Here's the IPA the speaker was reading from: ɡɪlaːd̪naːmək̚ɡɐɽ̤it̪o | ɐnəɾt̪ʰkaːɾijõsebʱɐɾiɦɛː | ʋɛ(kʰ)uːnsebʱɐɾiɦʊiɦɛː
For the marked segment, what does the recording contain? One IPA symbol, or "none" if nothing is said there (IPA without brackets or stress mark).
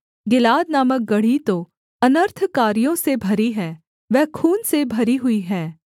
kʰ